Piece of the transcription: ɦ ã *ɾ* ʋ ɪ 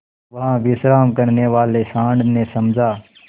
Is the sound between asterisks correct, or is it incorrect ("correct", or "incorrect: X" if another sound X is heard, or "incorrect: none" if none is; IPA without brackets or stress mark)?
incorrect: none